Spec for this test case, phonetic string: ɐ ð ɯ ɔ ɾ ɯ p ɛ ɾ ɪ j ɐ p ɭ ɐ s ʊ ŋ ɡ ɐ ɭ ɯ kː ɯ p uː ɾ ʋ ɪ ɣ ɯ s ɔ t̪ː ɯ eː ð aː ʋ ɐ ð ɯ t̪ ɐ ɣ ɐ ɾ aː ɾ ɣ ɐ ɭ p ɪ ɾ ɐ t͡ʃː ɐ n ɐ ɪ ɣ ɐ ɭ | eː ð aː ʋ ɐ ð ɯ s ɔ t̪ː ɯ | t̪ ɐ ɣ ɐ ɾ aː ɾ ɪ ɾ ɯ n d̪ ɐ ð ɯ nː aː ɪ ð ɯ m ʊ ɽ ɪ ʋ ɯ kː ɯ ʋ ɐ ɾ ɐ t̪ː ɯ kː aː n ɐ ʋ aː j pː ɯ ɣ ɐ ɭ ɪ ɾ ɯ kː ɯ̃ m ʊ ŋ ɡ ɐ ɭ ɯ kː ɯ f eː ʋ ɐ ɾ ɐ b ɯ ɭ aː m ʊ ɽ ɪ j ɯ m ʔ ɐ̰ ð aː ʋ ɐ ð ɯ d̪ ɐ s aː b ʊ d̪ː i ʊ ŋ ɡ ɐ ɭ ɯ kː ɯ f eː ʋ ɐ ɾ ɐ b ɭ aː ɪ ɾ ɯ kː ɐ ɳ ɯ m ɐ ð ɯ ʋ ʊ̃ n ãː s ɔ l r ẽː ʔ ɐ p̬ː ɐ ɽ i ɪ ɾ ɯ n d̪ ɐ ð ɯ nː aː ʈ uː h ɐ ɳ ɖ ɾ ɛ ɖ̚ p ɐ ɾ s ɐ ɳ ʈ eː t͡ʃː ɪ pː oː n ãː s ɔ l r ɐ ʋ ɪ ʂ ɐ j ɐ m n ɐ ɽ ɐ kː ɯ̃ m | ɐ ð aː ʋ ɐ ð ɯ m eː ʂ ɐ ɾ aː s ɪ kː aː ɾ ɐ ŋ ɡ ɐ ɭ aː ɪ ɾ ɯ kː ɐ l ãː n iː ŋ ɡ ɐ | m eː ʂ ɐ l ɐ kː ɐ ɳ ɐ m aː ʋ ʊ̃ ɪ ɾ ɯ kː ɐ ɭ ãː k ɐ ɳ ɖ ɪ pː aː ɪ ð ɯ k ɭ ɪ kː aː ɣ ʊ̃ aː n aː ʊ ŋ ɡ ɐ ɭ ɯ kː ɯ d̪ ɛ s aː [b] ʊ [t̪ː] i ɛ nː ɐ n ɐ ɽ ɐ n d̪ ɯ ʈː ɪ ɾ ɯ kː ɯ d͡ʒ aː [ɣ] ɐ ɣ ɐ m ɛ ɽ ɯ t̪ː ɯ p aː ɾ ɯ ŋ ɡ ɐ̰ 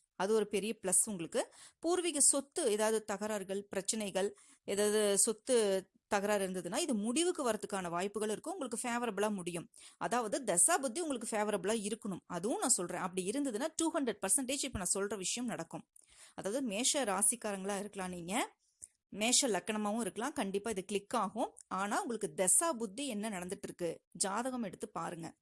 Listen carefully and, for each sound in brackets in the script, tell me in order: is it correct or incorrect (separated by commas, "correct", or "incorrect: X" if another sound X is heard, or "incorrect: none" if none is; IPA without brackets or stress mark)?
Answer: correct, incorrect: d̪ː, incorrect: ð